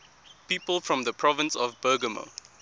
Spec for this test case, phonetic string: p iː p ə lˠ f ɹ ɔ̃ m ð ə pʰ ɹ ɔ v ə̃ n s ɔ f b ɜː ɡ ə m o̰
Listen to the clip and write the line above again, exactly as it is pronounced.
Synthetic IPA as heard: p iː p ə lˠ f ɹ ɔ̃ m ð ə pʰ ɹ ɔ v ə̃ n s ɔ v b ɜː ɡ ə m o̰